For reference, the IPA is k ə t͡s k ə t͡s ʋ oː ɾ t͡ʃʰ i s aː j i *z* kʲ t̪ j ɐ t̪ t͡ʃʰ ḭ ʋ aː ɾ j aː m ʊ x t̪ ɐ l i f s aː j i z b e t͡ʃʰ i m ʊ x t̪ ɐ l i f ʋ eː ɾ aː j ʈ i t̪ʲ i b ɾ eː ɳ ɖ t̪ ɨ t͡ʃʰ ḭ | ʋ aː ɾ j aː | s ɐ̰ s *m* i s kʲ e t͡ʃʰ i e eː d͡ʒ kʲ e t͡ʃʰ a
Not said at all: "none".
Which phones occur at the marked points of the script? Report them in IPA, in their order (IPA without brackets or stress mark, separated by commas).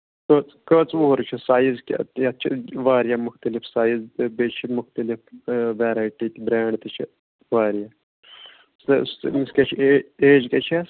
z, m